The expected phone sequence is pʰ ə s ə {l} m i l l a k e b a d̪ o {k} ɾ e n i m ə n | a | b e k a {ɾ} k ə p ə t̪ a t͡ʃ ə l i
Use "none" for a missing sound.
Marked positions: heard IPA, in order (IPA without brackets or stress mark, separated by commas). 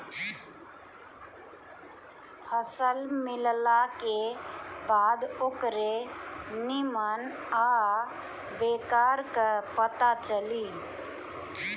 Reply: l, k, ɾ